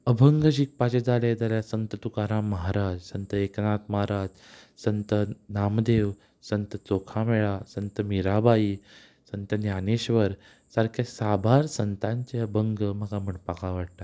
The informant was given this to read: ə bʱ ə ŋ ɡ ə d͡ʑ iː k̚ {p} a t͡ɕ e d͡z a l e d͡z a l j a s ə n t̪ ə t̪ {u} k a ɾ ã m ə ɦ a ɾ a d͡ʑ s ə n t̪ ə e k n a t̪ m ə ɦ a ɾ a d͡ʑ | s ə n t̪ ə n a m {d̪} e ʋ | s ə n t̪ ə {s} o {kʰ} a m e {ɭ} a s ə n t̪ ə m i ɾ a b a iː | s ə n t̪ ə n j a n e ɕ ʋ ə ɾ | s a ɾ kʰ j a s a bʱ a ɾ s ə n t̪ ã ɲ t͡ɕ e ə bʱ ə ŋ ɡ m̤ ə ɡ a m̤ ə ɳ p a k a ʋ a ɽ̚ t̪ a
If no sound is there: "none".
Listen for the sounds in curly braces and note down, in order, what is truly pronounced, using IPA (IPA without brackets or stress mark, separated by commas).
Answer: p, u, d̪, t͡s, kʰ, ɭ